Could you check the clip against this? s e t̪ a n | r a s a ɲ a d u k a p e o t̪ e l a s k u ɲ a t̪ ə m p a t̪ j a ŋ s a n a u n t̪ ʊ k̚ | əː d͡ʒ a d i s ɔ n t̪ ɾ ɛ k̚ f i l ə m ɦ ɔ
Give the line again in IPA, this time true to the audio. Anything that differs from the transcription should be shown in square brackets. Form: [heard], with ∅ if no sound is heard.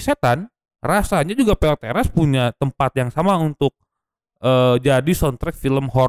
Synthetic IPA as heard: s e t̪ a n | r a s a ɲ a [d͡ʒ] u [ɡ] a p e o t̪ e [ɾ] a s [p] u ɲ a t̪ ə m p a t̪ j a ŋ s a [m] a u n t̪ ʊ k̚ | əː d͡ʒ a d i s ɔ n t̪ ɾ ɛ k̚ f i l ə m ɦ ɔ